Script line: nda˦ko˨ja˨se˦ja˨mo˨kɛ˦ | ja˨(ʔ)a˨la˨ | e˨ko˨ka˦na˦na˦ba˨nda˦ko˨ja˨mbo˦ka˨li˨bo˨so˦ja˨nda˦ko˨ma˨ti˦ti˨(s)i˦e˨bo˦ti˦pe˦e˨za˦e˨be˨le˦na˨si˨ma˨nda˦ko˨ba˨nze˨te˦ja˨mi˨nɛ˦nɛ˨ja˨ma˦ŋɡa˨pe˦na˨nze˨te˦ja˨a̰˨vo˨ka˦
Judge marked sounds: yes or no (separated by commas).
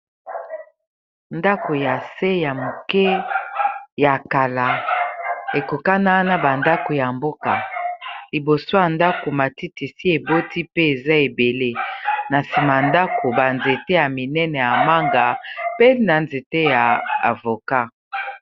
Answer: no, yes